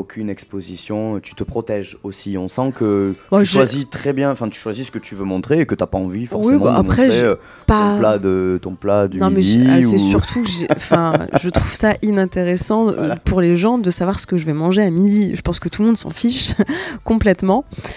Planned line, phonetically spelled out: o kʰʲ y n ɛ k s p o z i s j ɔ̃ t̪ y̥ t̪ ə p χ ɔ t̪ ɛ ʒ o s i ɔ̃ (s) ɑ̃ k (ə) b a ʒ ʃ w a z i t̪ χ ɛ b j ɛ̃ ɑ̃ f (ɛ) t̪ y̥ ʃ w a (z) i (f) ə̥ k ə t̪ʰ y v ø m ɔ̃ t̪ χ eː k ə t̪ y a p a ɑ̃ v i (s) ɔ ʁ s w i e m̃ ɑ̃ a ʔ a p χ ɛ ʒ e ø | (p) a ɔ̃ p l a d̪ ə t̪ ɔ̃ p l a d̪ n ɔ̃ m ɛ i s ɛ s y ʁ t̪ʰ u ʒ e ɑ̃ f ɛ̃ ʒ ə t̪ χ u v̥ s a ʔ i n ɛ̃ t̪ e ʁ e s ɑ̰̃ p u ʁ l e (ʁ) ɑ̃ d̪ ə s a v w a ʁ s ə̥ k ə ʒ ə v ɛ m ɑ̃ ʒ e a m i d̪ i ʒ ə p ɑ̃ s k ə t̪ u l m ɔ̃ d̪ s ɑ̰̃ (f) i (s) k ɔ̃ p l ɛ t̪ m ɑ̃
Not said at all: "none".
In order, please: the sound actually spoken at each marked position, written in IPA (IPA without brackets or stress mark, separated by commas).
s, ə, ɛ̃, z, s, f, p, ʒ, f, ʃ